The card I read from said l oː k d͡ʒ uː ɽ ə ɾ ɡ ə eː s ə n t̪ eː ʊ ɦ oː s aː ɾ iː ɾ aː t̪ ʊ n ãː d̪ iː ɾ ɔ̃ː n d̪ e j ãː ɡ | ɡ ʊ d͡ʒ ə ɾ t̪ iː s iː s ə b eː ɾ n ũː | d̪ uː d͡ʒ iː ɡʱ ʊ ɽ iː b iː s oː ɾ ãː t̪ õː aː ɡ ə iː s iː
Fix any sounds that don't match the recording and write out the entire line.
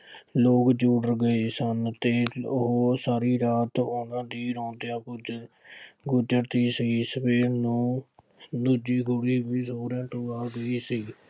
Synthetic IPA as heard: l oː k d͡ʒ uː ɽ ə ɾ ɡ ə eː s ə n t̪ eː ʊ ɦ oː s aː ɾ iː ɾ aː t̪ ʊ n ãː d̪ iː ɾ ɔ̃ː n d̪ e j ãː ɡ | ɡ ʊ d͡ʒ ə ɾ t̪ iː s iː s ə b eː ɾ n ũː | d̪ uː d͡ʒ iː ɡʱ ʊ ɽ iː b iː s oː ɾ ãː t̪ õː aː ɡ ə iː s iː